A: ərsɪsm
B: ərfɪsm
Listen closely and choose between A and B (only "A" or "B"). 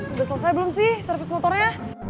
B